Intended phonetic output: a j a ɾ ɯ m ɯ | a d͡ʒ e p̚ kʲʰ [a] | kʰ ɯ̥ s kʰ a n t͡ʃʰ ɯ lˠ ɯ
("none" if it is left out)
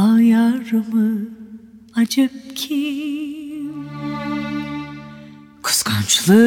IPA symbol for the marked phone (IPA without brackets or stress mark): i